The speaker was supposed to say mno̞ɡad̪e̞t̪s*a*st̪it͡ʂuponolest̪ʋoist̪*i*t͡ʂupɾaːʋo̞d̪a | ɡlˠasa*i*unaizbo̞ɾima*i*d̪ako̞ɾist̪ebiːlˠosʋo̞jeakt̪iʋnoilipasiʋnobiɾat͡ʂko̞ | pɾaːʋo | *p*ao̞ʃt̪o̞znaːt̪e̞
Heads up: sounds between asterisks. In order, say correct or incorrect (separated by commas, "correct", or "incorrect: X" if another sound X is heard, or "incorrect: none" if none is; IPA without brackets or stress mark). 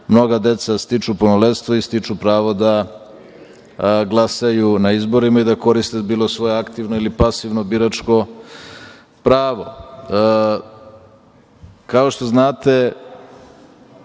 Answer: correct, correct, incorrect: j, correct, incorrect: k